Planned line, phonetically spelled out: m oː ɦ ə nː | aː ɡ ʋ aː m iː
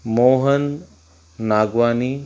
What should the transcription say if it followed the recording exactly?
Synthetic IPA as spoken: m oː ɦ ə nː | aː ɡ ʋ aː n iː